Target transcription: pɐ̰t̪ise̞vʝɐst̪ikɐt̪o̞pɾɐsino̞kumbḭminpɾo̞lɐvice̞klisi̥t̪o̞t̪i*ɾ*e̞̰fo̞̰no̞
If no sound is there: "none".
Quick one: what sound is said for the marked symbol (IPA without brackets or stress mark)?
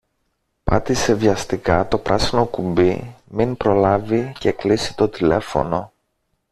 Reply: l